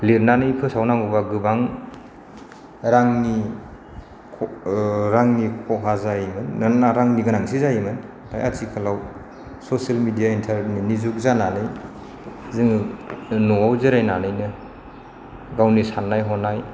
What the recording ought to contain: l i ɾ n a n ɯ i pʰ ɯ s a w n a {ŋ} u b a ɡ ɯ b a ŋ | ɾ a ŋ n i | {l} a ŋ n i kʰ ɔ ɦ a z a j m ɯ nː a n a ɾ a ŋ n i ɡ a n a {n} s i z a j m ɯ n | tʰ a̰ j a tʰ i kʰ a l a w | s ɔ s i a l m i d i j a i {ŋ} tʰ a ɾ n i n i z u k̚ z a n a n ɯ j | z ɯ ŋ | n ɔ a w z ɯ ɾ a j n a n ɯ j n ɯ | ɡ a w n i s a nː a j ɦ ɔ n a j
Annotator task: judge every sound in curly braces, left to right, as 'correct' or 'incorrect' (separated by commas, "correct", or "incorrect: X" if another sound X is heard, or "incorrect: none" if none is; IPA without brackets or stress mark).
correct, incorrect: ɾ, incorrect: ŋ, incorrect: n